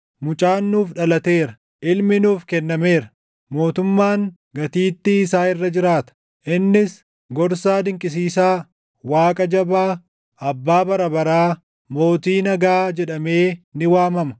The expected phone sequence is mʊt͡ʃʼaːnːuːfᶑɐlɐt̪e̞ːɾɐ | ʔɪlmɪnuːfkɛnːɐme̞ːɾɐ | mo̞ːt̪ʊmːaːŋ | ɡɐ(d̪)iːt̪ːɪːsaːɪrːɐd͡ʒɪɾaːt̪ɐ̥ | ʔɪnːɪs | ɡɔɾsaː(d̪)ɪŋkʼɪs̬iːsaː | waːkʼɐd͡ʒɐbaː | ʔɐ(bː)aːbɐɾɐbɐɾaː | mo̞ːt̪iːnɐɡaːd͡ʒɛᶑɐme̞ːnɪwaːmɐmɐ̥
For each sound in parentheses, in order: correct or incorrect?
incorrect, correct, correct

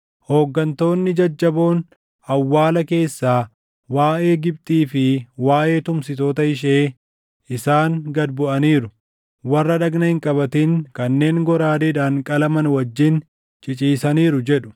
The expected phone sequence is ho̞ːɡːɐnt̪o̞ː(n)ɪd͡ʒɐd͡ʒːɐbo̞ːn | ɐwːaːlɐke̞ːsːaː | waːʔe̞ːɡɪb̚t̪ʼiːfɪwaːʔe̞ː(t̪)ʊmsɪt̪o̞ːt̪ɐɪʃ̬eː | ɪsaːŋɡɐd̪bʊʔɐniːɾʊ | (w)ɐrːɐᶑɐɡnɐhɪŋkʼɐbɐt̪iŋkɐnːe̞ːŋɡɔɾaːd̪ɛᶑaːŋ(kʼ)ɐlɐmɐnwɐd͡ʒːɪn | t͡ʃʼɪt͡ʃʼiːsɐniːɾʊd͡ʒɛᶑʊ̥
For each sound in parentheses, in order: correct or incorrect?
incorrect, correct, correct, correct

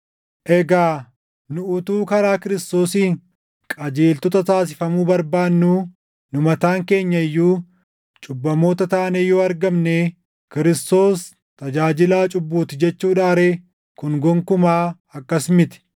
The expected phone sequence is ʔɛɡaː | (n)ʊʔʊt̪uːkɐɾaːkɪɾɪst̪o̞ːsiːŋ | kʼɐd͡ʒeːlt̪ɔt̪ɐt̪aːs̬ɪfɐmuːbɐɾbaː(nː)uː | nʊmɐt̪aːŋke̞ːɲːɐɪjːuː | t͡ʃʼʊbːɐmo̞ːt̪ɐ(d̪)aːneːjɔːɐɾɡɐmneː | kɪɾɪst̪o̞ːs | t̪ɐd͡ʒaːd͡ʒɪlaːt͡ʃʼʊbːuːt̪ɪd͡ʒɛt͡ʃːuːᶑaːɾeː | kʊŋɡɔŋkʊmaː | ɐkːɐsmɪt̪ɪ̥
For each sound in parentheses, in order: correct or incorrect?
correct, correct, incorrect

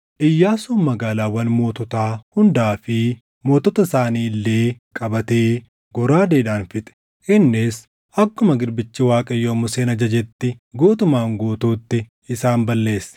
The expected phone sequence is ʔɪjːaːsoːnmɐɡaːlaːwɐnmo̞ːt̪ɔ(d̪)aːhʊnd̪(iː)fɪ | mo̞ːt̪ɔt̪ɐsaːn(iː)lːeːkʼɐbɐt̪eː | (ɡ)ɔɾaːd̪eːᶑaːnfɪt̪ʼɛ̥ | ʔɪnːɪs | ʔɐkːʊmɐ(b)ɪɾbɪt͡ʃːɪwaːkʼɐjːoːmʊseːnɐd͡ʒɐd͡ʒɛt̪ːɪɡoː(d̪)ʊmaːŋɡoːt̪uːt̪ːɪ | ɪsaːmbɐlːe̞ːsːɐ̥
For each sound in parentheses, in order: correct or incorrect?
incorrect, incorrect, correct, correct, incorrect, incorrect

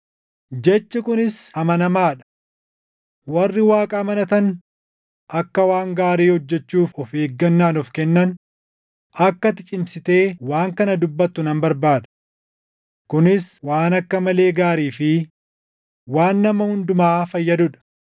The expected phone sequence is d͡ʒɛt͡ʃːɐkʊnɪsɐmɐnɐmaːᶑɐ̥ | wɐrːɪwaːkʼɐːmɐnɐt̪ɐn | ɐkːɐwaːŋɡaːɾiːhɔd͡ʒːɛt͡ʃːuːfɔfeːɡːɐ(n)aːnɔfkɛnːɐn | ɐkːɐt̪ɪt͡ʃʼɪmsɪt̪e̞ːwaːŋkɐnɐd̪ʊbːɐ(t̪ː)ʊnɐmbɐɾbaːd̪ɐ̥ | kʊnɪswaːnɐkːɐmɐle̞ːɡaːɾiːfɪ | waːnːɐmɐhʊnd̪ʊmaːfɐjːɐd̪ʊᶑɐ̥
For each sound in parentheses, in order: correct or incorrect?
incorrect, correct

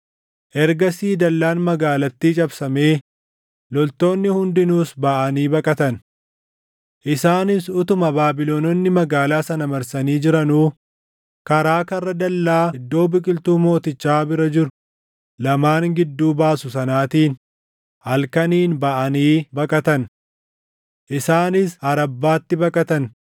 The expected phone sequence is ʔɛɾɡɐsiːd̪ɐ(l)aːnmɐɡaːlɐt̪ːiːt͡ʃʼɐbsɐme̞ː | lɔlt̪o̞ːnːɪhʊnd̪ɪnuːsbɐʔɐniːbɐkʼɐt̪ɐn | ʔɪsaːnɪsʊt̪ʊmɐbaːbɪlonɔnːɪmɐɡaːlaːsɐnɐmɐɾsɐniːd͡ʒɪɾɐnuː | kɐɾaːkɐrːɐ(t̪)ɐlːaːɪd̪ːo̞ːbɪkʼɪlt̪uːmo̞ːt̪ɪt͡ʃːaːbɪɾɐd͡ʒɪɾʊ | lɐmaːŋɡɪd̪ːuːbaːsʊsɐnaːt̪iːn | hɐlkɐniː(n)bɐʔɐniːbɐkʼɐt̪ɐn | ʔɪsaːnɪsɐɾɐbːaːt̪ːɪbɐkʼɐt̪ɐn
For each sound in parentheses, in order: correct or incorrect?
incorrect, incorrect, correct

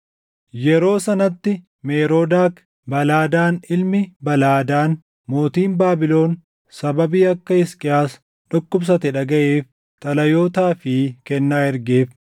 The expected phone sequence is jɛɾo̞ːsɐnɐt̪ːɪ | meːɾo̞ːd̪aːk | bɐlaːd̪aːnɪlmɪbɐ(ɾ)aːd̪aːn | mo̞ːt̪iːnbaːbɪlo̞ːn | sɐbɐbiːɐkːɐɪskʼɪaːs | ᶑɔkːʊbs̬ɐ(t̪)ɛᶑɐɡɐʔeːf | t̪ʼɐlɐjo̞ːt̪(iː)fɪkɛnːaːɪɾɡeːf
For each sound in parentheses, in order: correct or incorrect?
incorrect, correct, incorrect

